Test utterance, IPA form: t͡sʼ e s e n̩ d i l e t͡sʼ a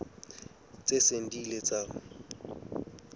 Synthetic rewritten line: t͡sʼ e s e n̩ d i l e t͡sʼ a